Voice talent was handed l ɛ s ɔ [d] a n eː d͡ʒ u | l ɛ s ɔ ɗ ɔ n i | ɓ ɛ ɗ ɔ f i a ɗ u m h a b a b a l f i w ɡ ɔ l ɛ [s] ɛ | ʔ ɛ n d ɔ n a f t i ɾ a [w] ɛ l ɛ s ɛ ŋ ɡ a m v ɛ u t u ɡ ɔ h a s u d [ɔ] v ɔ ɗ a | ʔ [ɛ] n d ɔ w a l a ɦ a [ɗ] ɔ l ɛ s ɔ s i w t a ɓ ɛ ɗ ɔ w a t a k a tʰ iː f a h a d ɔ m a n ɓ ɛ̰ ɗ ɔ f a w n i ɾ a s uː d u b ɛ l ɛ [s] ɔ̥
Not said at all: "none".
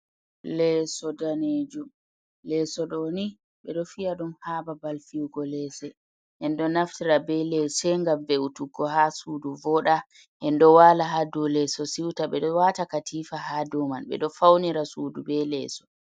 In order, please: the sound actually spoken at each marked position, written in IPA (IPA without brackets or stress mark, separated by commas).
d, s, b, u, ɛ, d, s